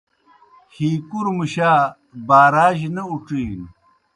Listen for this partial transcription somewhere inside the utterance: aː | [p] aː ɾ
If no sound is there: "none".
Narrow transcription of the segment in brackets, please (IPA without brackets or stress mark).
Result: b